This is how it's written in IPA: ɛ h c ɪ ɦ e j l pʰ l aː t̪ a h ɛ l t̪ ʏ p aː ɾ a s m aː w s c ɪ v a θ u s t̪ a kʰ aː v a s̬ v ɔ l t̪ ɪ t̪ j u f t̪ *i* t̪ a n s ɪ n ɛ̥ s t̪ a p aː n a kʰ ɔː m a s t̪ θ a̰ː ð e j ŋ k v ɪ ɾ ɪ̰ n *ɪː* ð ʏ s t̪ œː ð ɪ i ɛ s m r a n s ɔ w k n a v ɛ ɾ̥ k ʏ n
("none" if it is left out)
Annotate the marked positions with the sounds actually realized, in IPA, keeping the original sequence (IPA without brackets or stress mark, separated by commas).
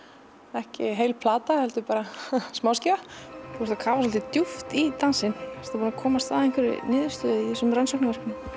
i, ɪː